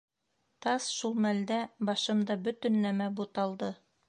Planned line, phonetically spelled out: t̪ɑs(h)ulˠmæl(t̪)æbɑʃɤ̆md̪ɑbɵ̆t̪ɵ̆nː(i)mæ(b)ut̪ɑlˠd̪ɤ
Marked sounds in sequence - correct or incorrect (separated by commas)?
incorrect, incorrect, incorrect, correct